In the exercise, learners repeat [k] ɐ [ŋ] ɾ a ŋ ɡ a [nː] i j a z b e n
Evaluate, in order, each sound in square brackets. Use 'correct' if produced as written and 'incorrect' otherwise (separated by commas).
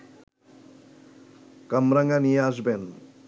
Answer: correct, incorrect, incorrect